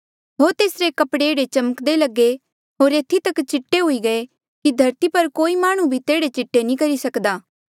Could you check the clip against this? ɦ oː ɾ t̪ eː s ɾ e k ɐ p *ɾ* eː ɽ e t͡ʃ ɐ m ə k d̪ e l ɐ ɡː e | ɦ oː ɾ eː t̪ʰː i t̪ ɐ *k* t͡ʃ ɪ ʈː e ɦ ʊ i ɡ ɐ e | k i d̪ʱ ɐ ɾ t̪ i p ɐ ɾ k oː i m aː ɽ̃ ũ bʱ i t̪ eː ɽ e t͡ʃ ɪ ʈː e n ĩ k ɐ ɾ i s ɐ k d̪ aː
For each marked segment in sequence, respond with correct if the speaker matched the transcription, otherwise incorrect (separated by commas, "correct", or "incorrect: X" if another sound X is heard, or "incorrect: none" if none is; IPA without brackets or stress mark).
incorrect: ɽ, correct